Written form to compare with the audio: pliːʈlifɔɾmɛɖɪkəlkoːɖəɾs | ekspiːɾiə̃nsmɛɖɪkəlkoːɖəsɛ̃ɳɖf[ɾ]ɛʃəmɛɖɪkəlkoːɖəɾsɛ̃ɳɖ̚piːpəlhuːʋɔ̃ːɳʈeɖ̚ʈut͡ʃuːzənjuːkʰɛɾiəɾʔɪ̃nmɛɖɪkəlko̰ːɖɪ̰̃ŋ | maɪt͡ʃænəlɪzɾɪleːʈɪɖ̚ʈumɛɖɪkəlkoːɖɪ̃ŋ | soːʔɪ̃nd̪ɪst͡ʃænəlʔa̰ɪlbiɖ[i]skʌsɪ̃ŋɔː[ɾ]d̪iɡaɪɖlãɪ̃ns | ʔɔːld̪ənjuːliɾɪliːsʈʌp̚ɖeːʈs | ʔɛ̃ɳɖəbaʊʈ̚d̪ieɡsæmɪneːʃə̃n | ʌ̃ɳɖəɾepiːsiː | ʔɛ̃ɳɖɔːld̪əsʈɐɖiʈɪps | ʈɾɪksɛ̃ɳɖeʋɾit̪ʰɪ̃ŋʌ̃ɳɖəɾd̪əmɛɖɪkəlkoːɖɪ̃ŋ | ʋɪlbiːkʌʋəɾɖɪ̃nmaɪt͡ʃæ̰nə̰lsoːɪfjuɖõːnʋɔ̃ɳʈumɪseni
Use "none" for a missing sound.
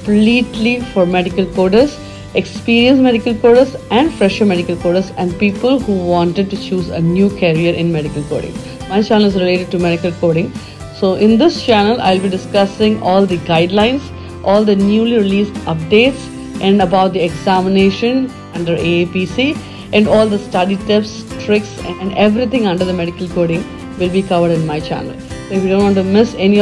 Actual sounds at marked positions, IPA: ɾ, ɪ, l

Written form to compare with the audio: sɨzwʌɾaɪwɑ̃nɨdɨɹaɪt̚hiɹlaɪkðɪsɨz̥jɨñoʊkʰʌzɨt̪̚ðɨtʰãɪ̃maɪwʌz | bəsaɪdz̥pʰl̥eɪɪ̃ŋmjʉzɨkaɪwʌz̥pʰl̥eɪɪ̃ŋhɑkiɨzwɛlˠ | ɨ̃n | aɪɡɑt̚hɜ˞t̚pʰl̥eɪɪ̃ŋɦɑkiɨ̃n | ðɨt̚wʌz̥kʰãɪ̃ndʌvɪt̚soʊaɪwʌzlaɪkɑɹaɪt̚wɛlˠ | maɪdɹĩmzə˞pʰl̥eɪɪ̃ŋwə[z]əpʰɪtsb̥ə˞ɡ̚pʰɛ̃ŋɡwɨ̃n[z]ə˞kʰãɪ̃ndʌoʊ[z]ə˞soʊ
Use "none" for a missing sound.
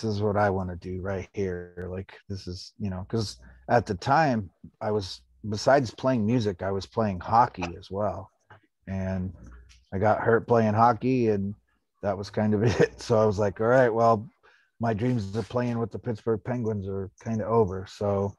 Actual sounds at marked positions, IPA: ð, z, v

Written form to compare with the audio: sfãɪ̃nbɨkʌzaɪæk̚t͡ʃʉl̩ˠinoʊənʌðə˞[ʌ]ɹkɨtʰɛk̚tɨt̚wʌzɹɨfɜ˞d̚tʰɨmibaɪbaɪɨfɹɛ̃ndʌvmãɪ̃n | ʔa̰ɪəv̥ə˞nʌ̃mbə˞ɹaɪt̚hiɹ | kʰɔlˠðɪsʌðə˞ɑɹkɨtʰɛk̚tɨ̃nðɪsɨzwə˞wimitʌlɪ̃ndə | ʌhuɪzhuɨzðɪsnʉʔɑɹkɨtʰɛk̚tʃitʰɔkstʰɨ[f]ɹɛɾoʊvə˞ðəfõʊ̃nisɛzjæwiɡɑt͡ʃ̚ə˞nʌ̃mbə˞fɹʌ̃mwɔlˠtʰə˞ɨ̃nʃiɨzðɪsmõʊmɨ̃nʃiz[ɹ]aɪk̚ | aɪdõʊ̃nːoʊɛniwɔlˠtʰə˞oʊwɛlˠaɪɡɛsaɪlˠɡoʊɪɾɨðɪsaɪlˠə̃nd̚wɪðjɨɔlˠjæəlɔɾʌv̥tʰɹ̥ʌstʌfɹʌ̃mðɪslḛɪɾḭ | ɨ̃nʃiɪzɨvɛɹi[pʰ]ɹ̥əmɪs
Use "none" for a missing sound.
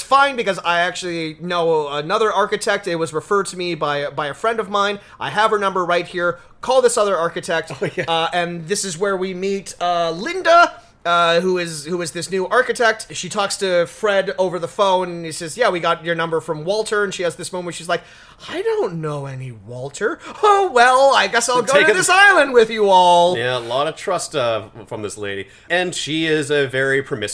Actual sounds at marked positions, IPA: ɑ, f, l, pʰ

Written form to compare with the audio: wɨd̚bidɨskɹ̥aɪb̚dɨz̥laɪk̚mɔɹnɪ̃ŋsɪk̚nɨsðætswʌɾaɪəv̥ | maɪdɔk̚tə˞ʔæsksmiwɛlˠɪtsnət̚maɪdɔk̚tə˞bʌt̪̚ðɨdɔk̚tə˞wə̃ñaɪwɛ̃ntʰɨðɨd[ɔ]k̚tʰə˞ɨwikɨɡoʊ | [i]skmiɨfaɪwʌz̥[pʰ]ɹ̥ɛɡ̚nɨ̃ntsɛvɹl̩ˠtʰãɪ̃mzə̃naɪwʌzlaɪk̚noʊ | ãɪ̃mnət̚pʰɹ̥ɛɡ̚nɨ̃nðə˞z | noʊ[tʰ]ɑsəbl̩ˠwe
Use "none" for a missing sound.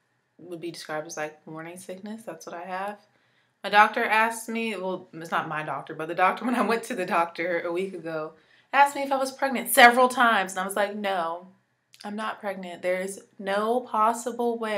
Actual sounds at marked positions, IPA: ɔ, æ, pʰ, pʰ

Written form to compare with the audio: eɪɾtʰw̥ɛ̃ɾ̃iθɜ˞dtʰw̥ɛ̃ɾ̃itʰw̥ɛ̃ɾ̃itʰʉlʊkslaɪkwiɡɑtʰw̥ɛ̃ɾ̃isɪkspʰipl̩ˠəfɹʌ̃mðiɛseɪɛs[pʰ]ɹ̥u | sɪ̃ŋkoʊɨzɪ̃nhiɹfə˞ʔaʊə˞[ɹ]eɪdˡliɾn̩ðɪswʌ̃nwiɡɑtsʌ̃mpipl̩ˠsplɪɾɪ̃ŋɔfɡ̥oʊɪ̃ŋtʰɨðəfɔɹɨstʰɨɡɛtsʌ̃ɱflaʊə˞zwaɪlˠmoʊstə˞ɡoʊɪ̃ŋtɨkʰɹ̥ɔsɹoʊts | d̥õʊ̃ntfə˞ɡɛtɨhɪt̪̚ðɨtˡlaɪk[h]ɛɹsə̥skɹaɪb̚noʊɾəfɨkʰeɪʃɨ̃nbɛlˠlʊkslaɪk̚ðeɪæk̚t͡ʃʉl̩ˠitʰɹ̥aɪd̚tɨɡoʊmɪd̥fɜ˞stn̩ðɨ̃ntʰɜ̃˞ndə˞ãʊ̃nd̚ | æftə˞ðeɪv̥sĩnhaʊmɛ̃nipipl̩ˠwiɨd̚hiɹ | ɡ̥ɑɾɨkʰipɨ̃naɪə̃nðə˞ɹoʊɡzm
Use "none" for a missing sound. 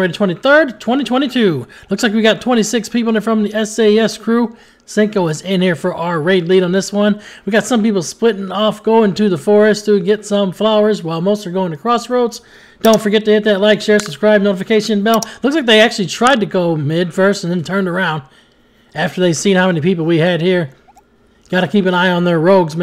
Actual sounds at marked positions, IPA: kʰ, ɹ, ʃ

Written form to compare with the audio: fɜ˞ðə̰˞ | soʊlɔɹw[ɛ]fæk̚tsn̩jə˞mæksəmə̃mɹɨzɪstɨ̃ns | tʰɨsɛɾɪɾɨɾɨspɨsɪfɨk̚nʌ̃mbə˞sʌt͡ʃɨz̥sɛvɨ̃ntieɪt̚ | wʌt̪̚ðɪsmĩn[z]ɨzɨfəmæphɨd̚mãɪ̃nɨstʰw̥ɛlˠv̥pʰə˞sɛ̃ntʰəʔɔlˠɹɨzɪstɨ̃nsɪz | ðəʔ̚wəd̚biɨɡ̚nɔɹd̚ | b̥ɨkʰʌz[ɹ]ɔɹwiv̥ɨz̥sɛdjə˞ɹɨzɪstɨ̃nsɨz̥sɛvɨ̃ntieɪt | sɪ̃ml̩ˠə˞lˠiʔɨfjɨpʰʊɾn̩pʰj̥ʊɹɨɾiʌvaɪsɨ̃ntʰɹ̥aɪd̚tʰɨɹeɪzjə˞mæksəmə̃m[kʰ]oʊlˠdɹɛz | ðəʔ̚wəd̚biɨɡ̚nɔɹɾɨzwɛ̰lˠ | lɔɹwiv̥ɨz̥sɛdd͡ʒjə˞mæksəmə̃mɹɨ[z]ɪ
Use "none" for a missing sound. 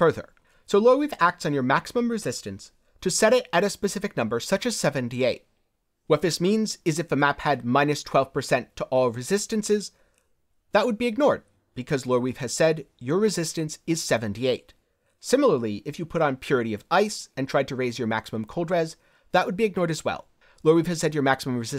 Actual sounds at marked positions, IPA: i, z, l, kʰ, z

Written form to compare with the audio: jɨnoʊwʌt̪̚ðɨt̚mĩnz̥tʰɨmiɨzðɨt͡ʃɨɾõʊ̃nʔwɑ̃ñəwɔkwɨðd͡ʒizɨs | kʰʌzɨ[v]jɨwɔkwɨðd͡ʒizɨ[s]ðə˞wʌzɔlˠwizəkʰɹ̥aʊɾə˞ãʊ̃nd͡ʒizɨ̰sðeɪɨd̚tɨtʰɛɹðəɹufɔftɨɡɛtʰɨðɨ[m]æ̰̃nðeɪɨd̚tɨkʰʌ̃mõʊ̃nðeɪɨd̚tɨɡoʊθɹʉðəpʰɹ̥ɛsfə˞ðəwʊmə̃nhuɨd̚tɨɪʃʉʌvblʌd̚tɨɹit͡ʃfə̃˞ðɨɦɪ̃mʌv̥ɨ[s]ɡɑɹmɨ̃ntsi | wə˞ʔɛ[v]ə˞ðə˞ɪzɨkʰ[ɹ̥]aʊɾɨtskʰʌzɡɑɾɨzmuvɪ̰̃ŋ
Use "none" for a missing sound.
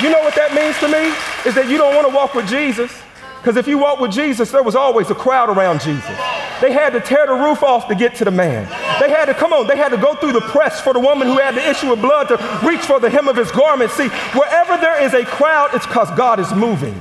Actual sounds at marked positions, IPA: f, s, m, z, v, ɹ̥

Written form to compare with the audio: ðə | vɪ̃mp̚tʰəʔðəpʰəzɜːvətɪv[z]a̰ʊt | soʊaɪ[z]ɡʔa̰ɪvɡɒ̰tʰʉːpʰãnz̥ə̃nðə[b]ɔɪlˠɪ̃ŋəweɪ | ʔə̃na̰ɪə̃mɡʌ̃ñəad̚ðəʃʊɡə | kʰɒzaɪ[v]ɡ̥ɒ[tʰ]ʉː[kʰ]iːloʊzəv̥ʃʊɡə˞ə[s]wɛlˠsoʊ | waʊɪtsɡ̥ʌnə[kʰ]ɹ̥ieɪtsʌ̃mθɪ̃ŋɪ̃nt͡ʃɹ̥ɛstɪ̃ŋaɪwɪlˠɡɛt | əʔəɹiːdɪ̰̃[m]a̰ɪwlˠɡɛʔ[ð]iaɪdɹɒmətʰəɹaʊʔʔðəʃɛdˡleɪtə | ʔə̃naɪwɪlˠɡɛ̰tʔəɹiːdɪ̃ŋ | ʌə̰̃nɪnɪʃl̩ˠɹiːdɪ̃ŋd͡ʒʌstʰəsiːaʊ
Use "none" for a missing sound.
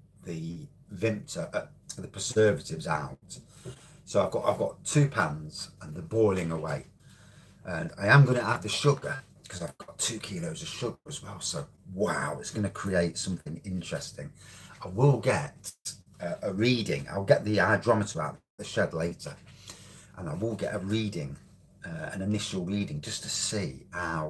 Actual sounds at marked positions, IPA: z, v, b, v, tʰ, kʰ, z, kʰ, ŋ, ð

